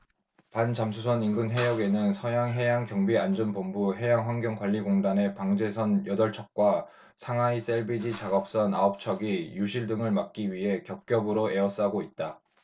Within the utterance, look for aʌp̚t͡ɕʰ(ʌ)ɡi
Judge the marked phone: correct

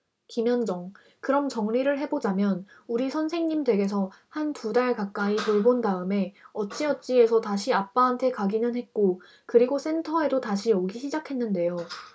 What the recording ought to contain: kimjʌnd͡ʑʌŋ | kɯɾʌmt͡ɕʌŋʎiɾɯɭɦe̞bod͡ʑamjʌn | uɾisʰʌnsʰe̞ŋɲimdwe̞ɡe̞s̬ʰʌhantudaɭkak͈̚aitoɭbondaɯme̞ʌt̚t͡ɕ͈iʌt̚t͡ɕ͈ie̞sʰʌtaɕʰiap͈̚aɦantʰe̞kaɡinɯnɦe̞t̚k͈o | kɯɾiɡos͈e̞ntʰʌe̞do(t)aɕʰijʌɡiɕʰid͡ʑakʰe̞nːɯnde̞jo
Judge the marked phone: correct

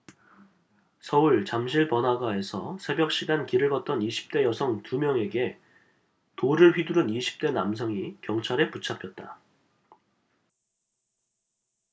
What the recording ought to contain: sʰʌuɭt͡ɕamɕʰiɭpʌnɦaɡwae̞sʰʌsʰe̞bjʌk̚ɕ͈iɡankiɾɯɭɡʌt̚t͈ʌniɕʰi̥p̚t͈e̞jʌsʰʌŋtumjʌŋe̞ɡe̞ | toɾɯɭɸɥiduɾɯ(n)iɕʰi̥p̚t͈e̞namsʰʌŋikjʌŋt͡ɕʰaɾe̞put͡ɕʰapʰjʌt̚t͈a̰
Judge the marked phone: correct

